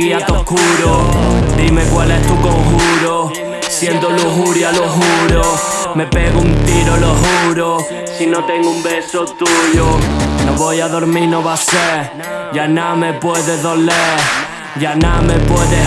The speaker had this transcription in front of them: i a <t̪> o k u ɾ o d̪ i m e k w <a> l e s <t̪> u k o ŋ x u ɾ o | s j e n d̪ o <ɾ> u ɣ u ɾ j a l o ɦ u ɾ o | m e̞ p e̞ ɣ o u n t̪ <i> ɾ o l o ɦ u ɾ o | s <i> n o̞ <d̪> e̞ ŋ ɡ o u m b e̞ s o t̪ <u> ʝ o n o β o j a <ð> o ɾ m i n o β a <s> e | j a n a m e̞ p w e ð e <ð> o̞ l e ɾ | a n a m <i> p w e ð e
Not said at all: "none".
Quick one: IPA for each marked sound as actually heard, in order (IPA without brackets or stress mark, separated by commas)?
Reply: t̪, a, t̪, l, i, i, t̪, u, ð, s, ð, e